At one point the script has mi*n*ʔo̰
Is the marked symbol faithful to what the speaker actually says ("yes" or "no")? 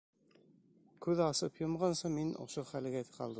yes